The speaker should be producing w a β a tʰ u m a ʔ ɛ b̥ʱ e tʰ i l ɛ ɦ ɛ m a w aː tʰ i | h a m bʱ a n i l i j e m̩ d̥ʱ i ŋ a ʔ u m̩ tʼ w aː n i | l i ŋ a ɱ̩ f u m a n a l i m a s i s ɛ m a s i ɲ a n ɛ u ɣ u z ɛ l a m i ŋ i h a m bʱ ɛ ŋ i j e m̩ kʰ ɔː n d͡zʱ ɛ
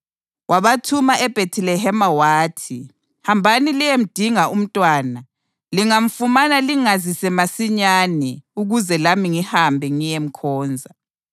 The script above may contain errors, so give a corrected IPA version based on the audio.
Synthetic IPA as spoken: w a β a tʰ u m a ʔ ɛ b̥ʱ e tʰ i l ɛ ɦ ɛ m a w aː tʰ i | h a m bʱ a n i l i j e m̩ d̥ʱ i ŋ a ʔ u m̩ tʼ w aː n a | l i ŋ a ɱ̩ f u m a n a l i ŋ a z i s ɛ m a s i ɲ a n ɛ u ɣ u z ɛ l a m i ŋ i h a m bʱ ɛ ŋ i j e m̩ kʰ ɔː n d͡zʱ a